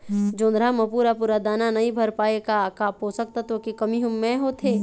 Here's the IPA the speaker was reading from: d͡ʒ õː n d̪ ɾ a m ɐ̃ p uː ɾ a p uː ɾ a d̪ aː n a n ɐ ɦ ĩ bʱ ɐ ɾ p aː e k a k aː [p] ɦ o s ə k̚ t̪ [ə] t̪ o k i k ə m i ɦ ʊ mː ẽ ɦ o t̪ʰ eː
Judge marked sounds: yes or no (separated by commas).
yes, no